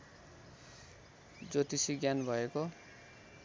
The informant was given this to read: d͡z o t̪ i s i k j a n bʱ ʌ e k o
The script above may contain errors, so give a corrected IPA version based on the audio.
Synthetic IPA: d͡z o t̪ i s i ɡ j a n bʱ ʌ e k o